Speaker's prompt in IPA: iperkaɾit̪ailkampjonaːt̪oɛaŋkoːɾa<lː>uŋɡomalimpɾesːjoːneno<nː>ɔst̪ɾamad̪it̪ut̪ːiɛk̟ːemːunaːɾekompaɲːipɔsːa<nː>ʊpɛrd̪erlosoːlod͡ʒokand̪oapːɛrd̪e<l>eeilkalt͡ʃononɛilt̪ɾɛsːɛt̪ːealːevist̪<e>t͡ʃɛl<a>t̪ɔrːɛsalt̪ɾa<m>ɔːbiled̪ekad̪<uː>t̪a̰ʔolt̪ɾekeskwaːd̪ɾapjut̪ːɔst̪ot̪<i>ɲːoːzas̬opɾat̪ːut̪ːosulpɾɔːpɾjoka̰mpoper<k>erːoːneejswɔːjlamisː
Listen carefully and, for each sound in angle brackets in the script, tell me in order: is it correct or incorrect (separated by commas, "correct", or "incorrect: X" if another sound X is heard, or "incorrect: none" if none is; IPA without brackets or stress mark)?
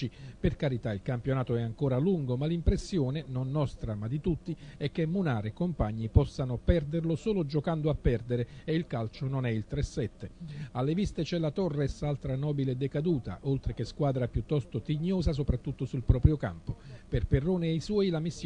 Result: incorrect: l, correct, incorrect: n, incorrect: ɾ, correct, correct, incorrect: n, correct, correct, incorrect: p